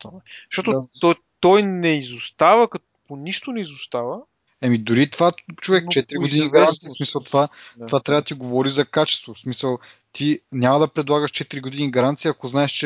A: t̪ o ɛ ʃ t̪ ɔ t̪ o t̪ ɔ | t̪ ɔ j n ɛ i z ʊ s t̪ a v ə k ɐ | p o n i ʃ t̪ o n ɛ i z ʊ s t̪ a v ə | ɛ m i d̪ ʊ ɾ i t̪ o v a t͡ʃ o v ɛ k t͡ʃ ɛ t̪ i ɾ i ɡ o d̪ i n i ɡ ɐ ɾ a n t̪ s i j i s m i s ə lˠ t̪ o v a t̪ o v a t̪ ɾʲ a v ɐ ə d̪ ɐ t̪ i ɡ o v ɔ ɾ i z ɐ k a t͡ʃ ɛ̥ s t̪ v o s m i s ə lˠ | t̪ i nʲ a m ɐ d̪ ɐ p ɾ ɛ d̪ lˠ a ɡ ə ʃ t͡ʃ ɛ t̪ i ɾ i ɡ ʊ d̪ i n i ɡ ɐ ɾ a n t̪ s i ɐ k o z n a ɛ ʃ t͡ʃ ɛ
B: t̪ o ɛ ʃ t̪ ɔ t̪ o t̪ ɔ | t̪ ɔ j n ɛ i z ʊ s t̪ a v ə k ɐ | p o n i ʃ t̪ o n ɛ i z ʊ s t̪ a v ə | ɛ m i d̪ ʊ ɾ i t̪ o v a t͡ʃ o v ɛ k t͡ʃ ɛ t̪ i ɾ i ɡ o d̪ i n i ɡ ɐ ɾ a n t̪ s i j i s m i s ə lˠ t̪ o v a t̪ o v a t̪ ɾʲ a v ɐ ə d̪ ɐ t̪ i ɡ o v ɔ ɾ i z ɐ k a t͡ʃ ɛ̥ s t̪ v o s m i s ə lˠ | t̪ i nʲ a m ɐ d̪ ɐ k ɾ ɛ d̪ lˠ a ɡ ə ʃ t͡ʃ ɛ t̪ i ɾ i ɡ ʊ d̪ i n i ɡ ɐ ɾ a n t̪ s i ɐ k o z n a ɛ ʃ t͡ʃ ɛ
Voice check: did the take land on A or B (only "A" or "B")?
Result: A